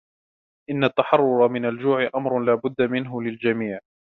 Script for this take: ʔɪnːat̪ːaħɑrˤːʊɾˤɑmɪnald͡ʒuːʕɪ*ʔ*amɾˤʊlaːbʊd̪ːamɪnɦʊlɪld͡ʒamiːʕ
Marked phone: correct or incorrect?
correct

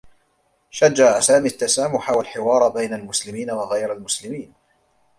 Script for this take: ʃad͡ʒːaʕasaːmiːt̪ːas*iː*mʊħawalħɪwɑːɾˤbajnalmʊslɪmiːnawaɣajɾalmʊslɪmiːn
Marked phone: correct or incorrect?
incorrect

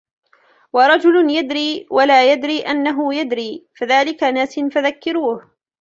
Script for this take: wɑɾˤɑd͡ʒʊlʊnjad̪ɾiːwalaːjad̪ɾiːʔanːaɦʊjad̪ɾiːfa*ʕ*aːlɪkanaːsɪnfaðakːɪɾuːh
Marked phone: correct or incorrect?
incorrect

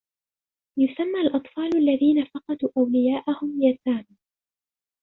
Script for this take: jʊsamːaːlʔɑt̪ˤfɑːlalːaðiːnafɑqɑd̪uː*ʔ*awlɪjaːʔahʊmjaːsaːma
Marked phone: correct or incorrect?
correct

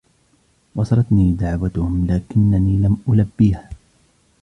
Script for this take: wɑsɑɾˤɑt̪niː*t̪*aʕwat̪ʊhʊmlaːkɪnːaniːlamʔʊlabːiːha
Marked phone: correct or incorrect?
incorrect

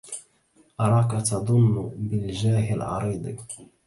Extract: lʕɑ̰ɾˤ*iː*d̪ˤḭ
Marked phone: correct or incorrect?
correct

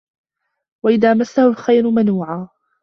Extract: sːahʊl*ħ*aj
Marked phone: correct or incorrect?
incorrect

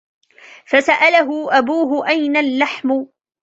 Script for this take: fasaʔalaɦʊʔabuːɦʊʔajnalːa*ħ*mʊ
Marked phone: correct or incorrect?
correct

